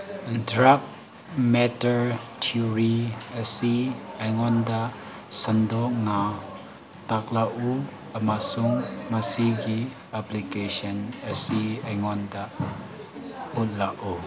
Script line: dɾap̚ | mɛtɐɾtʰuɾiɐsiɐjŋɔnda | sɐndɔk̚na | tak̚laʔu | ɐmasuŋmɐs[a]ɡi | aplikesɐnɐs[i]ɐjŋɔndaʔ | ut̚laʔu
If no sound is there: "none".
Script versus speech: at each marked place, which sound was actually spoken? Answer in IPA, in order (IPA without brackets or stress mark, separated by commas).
i, i